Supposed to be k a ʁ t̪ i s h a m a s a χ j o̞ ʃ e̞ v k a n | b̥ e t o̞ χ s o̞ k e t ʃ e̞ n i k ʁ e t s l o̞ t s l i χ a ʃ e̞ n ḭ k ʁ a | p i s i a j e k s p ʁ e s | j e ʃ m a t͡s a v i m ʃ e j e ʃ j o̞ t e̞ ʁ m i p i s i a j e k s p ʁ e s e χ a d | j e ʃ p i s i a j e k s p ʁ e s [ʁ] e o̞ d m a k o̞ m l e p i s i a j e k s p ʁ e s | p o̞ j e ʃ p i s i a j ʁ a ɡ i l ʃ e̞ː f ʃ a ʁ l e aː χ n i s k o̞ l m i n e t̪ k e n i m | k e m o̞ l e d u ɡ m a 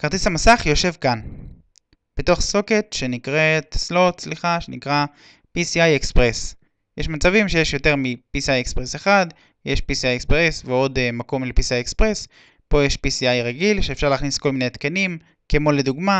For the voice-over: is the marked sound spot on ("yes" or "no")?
no